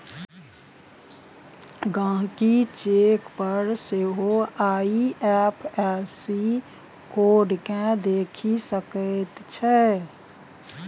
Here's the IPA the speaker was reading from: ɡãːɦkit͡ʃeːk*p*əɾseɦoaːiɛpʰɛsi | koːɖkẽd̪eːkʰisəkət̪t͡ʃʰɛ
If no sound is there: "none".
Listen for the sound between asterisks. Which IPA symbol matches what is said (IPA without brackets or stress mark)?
p